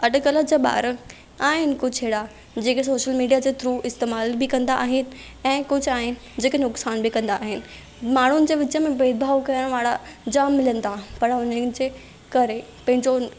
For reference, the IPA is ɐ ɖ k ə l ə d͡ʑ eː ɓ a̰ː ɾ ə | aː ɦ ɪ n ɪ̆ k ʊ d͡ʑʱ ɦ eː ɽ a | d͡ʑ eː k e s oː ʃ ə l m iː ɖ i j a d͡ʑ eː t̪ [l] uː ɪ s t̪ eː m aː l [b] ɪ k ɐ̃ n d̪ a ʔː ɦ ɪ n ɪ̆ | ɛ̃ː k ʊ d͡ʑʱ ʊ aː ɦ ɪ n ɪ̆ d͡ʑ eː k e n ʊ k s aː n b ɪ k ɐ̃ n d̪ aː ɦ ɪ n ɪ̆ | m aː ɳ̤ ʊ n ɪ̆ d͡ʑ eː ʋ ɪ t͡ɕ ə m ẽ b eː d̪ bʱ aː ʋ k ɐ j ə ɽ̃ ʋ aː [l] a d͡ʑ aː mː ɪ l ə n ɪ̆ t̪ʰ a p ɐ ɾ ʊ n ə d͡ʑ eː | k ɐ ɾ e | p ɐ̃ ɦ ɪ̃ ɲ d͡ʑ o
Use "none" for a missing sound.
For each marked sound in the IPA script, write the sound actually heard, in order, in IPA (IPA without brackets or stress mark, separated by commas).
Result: ɾ, b, ɽ